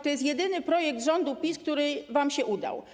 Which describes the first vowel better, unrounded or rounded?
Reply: rounded